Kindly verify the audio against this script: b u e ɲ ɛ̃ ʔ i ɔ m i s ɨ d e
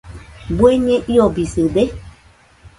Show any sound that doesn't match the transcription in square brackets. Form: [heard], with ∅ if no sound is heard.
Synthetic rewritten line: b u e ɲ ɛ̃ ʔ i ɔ [b] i s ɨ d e